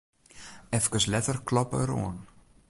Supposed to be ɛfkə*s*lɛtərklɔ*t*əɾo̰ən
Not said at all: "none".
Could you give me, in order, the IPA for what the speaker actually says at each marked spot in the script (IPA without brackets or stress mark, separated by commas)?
s, p